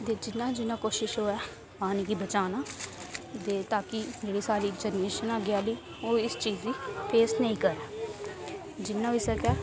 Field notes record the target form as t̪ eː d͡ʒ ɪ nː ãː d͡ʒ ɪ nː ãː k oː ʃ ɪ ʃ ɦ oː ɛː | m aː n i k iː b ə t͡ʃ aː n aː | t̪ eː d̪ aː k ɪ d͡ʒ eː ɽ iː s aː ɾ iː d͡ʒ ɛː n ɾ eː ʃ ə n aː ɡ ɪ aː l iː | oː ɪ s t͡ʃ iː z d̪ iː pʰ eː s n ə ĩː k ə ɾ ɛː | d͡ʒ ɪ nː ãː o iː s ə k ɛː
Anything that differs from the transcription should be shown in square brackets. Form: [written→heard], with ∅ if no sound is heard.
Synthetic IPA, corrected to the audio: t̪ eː d͡ʒ ɪ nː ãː d͡ʒ ɪ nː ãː k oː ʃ ɪ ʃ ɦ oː ɛː | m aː n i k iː b ə t͡ʃ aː n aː | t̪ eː [d̪→t̪] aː k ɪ d͡ʒ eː ɽ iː s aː ɾ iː d͡ʒ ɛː n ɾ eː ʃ ə n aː ɡ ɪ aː l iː | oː ɪ s t͡ʃ iː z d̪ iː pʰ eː s n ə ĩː k ə ɾ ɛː | d͡ʒ ɪ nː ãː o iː s ə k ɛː